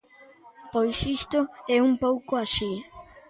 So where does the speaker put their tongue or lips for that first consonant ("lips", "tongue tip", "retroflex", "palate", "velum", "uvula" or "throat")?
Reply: lips